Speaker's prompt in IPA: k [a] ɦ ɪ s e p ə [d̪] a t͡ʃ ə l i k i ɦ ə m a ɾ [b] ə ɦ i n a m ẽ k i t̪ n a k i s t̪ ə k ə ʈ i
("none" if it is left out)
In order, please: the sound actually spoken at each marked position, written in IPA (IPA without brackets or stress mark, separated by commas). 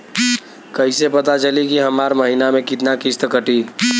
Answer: ə, t̪, m